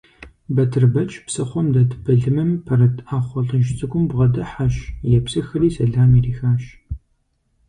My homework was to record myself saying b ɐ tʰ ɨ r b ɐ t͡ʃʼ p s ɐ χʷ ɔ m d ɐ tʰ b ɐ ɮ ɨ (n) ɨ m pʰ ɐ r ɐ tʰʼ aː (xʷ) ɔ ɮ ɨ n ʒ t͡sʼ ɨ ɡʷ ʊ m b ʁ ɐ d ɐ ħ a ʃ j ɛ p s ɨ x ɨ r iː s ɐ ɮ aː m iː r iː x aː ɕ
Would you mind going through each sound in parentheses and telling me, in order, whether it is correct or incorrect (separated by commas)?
incorrect, incorrect